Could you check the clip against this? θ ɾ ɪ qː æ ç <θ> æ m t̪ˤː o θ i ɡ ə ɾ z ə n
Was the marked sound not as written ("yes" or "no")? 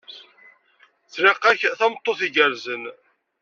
no